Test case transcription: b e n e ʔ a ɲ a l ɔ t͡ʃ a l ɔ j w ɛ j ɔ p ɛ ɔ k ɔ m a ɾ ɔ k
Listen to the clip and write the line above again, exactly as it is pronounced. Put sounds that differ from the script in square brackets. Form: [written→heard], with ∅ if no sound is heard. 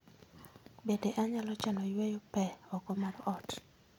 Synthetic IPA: b e [n→d] e ʔ a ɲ a l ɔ t͡ʃ a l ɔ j w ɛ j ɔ p ɛ ɔ k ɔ m a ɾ ɔ [k→t]